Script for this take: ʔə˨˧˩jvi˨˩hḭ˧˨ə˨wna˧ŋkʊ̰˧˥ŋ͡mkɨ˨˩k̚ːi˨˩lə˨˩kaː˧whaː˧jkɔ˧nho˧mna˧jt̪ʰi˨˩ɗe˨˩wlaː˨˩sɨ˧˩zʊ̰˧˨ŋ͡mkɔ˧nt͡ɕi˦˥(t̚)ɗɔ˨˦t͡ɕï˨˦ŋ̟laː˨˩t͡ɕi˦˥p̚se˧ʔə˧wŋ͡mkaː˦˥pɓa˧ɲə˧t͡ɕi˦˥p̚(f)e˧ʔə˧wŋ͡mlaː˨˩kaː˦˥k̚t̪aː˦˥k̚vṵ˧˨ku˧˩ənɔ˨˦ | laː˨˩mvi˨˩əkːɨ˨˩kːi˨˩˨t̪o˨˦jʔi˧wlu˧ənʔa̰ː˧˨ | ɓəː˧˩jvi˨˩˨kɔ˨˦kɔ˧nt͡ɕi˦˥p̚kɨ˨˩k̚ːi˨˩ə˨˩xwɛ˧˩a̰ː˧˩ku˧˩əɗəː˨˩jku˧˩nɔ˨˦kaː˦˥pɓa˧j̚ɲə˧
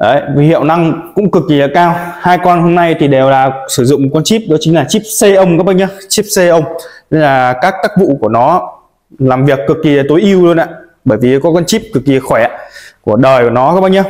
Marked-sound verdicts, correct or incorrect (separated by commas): incorrect, incorrect